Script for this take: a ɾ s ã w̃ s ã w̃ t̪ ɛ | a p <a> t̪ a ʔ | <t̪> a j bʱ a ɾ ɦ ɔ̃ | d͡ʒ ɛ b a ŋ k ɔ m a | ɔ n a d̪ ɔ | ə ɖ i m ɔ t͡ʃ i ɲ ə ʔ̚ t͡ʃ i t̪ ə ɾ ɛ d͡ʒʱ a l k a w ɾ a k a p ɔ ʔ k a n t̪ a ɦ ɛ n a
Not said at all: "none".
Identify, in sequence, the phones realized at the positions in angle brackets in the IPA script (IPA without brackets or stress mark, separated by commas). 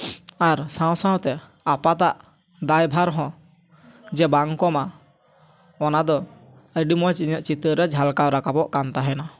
a, d̪